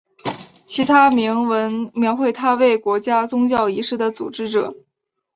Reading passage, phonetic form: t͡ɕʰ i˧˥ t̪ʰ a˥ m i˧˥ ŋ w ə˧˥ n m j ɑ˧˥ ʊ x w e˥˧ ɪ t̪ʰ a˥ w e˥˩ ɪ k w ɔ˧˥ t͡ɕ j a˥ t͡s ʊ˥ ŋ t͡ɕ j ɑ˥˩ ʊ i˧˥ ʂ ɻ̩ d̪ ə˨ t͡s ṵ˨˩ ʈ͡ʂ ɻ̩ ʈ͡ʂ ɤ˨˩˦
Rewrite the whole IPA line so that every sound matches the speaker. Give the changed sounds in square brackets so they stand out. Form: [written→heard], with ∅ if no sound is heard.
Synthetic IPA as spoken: t͡ɕʰ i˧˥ t̪ʰ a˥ m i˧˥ ŋ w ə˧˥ n m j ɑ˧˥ ʊ x w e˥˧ ɪ t̪ʰ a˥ w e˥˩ ɪ k w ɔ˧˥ t͡ɕ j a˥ t͡s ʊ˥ ŋ t͡ɕ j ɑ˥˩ ʊ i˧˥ ʂ ɻ̩ d̪ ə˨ t͡s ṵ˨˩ ʈ͡ʂ ɻ̩ ʈ͡ʂ ɤ˨˩˦